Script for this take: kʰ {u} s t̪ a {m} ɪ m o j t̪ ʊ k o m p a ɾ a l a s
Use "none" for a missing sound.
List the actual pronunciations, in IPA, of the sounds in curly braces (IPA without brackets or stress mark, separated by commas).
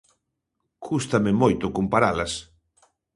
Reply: u, m